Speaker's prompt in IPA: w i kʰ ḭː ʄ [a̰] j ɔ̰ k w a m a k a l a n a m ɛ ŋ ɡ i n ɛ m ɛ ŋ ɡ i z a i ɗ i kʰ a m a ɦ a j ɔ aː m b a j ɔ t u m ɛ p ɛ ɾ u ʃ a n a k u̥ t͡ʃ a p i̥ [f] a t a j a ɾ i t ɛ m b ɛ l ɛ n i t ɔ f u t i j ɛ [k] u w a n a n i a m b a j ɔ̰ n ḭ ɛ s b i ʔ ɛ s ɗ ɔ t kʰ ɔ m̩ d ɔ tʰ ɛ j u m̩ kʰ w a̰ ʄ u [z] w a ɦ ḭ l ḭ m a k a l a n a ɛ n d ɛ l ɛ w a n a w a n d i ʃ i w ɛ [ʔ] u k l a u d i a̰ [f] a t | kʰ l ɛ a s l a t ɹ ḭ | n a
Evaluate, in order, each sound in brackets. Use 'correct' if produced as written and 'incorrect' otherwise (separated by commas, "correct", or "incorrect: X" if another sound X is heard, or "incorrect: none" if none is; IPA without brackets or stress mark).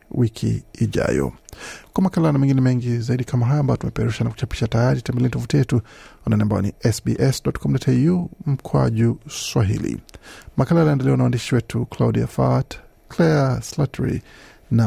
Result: correct, incorrect: ʃ, incorrect: t, incorrect: s, incorrect: t, correct